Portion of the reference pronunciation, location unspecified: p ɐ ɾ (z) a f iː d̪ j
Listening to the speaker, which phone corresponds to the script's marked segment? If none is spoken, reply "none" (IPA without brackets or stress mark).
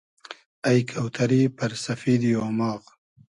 s